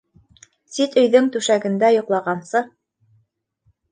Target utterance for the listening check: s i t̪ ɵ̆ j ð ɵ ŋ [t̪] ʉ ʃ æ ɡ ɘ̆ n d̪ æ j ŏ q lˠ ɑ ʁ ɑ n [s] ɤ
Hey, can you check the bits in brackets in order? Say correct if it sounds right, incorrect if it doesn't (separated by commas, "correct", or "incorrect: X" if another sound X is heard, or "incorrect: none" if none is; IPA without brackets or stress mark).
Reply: correct, correct